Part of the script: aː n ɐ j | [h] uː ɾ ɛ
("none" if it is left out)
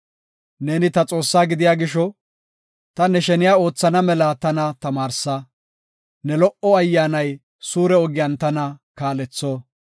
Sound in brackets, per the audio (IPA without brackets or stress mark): s